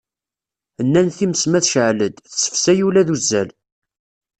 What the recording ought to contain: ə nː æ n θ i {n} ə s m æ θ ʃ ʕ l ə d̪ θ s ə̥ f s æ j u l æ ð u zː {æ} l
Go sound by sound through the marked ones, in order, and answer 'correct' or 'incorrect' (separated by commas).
incorrect, correct